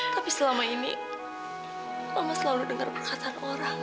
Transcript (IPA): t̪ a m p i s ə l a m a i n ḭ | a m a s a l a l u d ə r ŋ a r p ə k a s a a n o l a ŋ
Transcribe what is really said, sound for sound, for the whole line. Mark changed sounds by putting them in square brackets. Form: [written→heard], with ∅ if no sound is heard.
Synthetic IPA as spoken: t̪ a [m→∅] p i s ə l a m a i n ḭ | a m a s [a→ə] l a l u d ə [r→∅] ŋ a r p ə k a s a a n o [l→ɾ] a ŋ